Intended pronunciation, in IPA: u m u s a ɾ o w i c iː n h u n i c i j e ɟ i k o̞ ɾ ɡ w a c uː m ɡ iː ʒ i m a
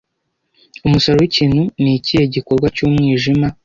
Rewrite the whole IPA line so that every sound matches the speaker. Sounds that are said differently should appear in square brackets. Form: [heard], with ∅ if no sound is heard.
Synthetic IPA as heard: u m u s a ɾ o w i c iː n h u n i c i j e ɟ i k o̞ ɾ ɡ w a c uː m [ŋ] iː ʒ i m a